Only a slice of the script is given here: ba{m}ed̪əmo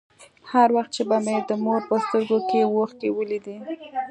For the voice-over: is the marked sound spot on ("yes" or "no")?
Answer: yes